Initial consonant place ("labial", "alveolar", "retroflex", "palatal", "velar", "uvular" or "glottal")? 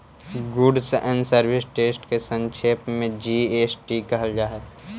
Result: velar